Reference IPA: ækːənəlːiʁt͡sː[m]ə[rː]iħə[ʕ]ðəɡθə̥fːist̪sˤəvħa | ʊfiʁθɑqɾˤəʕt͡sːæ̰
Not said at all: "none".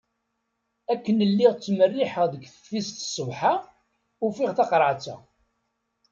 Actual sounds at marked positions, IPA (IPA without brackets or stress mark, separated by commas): m, rː, ʁ